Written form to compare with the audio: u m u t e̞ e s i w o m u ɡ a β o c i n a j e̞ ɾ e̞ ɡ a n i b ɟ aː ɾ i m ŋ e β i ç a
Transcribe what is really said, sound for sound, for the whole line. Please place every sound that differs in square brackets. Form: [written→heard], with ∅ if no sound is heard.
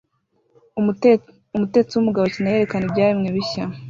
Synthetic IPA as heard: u m u t e̞ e [s→t͡s] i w [o→u] m u ɡ a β o c i n a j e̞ ɾ e̞ [ɡ→k] a n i b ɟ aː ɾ i m ŋ e β i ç a